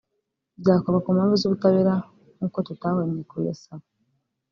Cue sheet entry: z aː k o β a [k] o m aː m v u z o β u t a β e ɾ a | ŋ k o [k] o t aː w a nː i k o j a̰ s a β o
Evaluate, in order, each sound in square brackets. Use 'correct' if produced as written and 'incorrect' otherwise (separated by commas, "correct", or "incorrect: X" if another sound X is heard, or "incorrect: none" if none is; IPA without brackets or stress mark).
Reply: correct, incorrect: t